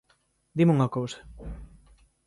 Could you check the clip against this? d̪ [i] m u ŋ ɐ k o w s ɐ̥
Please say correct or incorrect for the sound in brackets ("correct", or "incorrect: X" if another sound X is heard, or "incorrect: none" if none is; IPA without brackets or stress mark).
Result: correct